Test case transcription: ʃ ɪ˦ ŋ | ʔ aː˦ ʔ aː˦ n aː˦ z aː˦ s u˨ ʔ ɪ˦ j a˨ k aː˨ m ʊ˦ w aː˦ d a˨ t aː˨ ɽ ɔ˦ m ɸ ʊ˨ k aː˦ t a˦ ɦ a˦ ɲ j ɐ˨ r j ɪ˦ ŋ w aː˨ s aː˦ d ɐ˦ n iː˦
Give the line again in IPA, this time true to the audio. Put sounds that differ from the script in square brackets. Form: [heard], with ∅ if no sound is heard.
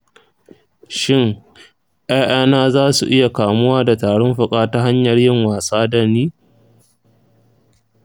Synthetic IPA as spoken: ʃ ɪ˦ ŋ | ʔ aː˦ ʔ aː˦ n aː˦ z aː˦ s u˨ ʔ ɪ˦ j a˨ k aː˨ m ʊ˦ w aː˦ d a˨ t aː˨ ɽ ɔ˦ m ɸ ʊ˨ [kʼ] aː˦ t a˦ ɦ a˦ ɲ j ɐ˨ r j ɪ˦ ŋ w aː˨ s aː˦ d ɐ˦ n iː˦

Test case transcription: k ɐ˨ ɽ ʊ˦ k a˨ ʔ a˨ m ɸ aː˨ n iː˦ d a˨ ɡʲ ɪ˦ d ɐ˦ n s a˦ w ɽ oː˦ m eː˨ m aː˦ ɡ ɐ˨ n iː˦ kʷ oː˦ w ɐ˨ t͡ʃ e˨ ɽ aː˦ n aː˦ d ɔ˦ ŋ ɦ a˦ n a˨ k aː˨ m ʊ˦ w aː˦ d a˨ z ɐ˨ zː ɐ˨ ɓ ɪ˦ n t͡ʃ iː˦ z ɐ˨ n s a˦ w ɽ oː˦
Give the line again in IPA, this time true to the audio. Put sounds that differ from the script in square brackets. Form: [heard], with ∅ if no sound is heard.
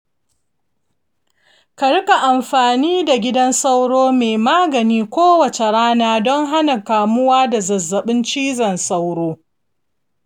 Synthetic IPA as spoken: k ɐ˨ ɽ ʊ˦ k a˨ ʔ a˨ m ɸ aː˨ n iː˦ d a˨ ɡʲ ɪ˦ d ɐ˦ n s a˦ w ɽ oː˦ m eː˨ m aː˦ ɡ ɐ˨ n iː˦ kʷ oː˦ w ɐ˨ t͡ʃ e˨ ɽ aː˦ n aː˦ d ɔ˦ ŋ ɦ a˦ n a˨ k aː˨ m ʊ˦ w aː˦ d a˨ z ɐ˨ zː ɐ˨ ɓ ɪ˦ n t͡ʃ iː˦ z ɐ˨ n s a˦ w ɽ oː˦

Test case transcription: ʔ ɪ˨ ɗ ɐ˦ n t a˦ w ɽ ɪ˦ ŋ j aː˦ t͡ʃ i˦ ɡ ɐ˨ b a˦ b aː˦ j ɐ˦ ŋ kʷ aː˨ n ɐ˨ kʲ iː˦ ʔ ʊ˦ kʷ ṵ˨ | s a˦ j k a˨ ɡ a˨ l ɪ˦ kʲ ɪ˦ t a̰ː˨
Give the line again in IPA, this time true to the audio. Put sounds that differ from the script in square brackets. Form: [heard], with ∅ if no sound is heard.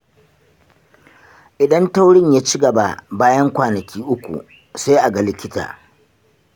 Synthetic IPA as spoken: ʔ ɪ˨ ɗ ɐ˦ n t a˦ w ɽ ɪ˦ [ɲ] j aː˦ t͡ʃ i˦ ɡ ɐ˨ b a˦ b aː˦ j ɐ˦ ŋ kʷ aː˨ n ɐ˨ kʲ iː˦ ʔ ʊ˦ kʷ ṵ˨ | s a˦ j [ʔ] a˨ ɡ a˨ l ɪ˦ kʲ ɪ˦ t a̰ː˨

